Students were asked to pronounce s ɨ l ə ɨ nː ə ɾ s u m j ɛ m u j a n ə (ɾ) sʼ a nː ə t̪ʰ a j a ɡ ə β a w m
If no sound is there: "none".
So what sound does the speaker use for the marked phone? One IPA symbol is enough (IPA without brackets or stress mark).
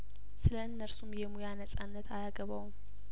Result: none